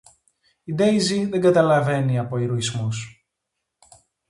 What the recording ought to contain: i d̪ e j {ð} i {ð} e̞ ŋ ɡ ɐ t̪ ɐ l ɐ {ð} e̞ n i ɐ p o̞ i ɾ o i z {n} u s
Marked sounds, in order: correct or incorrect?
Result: incorrect: z, correct, incorrect: v, incorrect: m

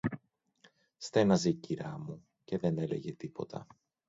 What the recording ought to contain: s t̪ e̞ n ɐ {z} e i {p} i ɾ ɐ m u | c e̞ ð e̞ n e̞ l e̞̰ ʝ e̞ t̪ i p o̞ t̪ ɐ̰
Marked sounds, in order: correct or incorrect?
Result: correct, incorrect: c

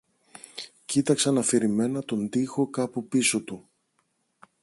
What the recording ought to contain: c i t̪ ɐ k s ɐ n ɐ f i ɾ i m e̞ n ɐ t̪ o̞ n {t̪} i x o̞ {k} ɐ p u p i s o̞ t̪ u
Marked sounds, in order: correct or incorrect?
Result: incorrect: d̪, correct

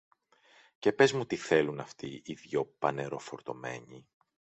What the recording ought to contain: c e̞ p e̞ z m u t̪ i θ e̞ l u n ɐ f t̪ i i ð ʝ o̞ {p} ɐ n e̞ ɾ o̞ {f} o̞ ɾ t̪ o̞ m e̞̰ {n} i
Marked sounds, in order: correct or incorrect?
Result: correct, correct, incorrect: ɲ

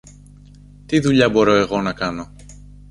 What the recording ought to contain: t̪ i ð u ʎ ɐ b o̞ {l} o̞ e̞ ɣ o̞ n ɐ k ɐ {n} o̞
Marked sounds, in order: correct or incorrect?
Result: incorrect: ɾ, correct

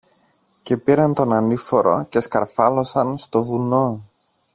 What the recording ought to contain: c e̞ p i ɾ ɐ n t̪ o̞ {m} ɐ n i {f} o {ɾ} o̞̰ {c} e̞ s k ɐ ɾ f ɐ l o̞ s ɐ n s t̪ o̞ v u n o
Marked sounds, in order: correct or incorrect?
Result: incorrect: n, correct, correct, correct

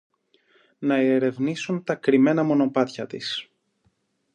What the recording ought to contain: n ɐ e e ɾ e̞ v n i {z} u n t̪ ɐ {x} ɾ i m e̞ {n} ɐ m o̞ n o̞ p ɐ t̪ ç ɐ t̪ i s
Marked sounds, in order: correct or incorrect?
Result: incorrect: s, incorrect: k, correct

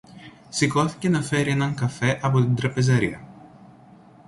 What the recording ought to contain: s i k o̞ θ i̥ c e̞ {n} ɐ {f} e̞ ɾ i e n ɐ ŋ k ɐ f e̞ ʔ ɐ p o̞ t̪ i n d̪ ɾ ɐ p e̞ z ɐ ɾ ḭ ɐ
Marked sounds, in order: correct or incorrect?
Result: correct, correct

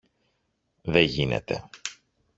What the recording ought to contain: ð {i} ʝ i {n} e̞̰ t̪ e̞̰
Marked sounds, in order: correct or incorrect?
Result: incorrect: e, correct

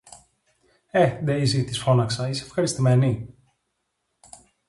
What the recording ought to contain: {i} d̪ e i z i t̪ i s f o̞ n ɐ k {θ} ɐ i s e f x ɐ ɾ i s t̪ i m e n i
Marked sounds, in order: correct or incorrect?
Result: incorrect: e, incorrect: s

